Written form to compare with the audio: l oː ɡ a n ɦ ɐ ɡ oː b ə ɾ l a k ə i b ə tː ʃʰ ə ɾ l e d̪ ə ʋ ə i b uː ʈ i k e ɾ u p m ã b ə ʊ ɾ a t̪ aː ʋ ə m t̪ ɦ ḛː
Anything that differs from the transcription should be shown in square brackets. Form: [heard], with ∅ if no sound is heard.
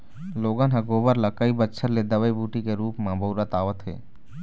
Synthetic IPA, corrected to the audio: l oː ɡ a n ɦ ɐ ɡ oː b ə ɾ l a k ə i b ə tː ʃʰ ə ɾ l e d̪ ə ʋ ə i b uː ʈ i k e ɾ [uː] p m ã b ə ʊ ɾ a t̪ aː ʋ ə [∅] t̪ ɦ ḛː